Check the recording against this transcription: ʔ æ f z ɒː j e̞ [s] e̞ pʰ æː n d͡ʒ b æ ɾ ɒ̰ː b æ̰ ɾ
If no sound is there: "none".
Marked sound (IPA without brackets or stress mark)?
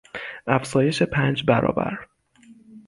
ʃ